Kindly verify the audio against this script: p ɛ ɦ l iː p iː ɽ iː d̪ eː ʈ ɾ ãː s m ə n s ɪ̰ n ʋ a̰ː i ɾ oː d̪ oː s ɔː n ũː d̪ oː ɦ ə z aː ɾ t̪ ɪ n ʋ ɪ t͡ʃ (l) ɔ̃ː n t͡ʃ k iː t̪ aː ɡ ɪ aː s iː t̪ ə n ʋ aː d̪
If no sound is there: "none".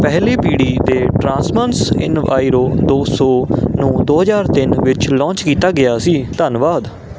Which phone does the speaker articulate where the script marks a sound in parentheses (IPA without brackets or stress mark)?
l